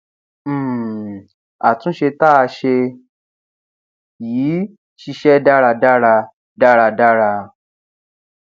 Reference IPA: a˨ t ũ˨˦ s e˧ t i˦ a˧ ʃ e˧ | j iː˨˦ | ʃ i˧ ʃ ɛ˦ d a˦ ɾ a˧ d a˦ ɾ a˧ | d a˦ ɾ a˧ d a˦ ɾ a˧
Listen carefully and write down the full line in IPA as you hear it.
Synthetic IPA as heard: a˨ t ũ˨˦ ʃ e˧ t a˦ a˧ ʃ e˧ | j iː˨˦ | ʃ i˧ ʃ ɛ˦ d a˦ ɾ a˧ d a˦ ɾ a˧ | d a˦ ɾ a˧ d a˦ ɾ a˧

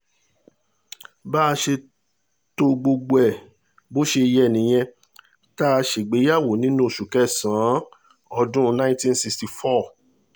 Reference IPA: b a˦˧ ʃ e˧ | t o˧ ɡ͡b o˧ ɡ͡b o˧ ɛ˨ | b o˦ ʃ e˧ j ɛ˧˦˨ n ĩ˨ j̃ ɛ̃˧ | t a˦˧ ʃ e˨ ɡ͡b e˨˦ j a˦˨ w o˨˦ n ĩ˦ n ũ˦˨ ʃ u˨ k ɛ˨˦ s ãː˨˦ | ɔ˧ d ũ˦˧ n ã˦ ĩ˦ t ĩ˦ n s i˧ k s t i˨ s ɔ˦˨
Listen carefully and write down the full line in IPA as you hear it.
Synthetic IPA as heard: b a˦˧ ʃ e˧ | t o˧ ɡ͡b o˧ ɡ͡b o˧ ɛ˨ | b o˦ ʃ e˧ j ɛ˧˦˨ n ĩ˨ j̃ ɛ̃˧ | t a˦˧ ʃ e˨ ɡ͡b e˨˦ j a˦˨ w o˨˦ n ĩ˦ n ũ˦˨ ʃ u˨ k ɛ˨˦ s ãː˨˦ | ɔ˧ d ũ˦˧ n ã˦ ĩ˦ t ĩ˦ n s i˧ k s t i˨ f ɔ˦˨

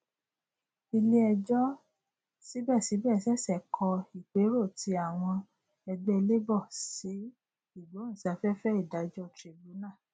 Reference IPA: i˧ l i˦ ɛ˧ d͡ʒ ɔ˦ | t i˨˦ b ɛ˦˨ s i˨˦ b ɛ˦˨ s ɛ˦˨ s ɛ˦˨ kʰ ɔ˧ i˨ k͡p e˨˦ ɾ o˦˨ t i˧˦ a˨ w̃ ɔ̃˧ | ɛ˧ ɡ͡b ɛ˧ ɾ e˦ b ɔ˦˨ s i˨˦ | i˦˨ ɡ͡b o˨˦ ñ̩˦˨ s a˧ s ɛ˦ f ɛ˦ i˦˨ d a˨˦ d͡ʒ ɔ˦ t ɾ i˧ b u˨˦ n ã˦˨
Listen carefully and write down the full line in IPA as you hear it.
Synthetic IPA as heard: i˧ l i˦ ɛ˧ d͡ʒ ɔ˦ | s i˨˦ b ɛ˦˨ s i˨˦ b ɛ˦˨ s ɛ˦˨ s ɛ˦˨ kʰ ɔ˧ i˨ k͡p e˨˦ ɾ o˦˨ t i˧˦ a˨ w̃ ɔ̃˧ | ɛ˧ ɡ͡b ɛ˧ l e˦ b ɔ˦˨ s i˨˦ | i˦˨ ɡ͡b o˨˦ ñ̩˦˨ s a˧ f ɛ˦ f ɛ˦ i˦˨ d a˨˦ d͡ʒ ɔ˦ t ɾ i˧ b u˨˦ n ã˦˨

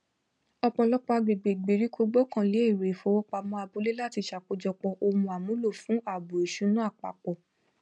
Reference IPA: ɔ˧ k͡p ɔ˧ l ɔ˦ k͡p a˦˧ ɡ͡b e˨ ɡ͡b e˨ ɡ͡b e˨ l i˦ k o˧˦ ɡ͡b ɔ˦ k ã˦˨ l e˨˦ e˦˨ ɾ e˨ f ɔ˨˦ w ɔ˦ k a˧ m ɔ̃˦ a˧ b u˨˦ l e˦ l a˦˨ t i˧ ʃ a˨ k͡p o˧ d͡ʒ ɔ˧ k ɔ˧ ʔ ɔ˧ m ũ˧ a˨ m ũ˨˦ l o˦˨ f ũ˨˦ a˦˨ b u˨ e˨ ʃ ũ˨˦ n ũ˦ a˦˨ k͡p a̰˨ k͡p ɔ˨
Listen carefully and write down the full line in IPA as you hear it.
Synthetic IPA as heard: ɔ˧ k͡p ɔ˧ l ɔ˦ k͡p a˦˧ ɡ͡b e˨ ɡ͡b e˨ ɡ͡b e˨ ɾ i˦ k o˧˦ ɡ͡b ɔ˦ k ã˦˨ l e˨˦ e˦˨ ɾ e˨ f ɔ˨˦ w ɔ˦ k͡p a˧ m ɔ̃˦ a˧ b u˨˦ l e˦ l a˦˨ t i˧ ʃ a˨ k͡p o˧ d͡ʒ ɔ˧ k͡p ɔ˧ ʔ o˧ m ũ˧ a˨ m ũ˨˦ l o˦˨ f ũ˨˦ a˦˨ b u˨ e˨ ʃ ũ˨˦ n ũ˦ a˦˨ k͡p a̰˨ k͡p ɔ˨

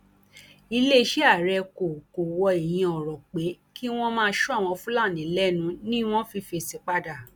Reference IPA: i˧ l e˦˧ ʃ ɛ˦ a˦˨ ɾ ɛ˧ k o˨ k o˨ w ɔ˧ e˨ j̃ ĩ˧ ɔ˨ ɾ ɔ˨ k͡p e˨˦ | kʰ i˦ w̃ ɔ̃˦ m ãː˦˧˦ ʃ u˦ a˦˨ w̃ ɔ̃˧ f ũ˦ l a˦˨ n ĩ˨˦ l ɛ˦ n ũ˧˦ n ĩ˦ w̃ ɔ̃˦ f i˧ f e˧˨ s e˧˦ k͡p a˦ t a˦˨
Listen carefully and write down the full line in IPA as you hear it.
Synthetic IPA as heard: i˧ l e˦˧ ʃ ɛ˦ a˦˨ ɾ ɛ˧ k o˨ k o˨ w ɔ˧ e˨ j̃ ĩ˧ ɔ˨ ɾ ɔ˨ k͡p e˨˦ | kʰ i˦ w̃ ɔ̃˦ m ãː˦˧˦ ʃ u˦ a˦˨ w̃ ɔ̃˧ f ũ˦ l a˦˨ n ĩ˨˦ l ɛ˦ n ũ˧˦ n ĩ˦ w̃ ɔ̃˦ f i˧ f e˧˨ s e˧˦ k͡p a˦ d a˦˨

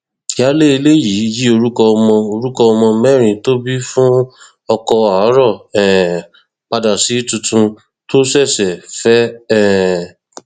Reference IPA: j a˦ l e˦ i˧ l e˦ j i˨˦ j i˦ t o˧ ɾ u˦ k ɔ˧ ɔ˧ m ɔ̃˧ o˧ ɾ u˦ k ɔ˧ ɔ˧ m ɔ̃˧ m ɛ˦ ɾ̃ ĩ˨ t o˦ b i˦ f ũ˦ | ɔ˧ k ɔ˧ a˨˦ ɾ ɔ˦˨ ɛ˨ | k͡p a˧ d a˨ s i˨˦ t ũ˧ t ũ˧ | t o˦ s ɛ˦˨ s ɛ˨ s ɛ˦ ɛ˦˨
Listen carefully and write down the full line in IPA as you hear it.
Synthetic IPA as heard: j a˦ l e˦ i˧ l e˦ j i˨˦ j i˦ o˧ ɾ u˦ k ɔ˧ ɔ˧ m ɔ̃˧ o˧ ɾ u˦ k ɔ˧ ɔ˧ m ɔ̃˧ m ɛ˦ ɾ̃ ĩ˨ t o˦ b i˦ f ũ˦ | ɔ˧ k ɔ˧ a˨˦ ɾ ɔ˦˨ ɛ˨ | k͡p a˧ d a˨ s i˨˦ t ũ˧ t ũ˧ | t o˦ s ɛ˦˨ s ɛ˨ f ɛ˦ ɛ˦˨

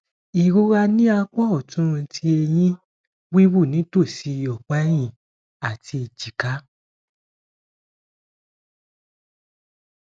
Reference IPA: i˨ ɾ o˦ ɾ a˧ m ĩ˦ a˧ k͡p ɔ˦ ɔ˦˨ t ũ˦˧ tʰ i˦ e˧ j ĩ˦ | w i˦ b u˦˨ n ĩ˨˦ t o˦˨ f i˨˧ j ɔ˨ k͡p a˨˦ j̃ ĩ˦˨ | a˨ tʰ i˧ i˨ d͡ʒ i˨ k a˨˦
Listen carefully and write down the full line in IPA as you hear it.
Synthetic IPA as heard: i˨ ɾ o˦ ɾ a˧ n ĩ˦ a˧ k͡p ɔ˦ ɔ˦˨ t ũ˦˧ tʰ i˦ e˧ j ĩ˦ | w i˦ w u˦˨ n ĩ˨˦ t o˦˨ s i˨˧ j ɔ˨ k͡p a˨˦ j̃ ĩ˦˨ | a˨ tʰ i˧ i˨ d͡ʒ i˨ k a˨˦

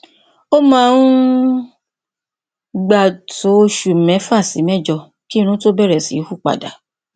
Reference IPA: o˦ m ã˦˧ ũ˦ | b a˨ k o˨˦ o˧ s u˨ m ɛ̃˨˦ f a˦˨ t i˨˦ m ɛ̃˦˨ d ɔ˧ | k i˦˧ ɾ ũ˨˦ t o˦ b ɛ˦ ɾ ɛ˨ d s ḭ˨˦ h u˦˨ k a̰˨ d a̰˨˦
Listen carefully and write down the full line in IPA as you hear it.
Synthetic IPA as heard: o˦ m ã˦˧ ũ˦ | ɡ͡b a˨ t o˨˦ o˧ ʃ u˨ m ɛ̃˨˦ f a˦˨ s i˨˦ m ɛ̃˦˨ d͡ʒ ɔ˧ | k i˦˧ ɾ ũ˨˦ t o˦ b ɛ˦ ɾ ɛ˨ s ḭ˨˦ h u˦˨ k͡p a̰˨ d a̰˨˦

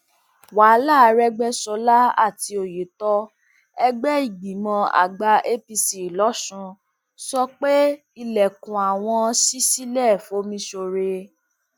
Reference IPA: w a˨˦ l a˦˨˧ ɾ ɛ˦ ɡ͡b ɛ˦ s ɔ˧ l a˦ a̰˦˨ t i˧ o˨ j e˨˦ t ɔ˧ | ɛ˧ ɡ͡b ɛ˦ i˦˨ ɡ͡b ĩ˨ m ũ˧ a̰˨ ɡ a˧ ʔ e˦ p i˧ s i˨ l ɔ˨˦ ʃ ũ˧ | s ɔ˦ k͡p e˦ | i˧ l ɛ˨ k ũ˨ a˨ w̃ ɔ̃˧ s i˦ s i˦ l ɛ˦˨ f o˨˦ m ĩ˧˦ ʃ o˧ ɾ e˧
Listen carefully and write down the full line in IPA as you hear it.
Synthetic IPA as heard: w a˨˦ l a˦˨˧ ɾ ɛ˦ ɡ͡b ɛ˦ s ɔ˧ l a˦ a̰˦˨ t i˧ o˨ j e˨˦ t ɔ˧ | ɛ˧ ɡ͡b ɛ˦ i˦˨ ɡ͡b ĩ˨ m ɔ̃˧ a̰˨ ɡ͡b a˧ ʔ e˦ p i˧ s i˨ l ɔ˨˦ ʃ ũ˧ | s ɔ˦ k͡p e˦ | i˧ l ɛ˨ k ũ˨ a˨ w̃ ɔ̃˧ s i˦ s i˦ l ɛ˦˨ f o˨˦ m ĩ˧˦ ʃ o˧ ɾ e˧

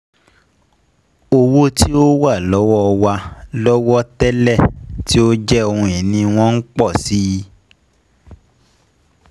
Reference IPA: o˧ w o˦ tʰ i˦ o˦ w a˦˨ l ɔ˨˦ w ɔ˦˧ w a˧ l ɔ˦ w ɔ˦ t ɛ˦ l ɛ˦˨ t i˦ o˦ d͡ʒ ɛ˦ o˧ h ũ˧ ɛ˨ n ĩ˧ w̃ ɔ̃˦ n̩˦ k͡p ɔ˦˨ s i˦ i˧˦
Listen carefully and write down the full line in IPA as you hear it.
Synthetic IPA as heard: o˧ w o˦ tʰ i˦ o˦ w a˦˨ l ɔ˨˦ w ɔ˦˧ w a˧ l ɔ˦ w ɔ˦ t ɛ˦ l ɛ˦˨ t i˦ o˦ d͡ʒ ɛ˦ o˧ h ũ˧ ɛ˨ n ĩ˧ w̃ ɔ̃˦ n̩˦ k͡p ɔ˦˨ s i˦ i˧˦

